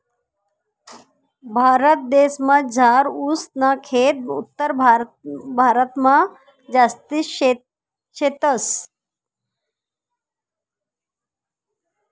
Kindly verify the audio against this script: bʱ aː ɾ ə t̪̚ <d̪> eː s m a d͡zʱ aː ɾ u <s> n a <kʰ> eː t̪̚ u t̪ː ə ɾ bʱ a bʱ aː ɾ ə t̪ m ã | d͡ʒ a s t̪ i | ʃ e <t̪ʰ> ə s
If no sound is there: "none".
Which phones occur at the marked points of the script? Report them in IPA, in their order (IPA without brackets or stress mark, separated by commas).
d̪, s, kʰ, t̪